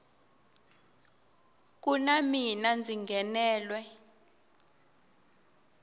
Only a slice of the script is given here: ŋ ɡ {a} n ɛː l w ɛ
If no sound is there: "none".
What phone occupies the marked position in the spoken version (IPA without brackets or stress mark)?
ɛ